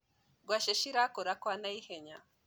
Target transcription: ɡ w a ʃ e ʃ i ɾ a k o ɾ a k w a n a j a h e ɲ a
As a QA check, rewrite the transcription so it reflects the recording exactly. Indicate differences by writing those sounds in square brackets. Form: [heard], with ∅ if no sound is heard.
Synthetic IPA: ɡ w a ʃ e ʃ i ɾ a k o ɾ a k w a n a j [i] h e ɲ a